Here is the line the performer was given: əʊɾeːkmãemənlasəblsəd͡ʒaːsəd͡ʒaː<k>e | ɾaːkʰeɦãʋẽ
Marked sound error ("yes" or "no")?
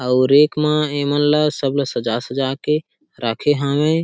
no